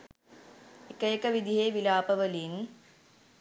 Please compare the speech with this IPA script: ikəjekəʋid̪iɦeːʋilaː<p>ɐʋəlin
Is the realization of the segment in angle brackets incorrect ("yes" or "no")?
no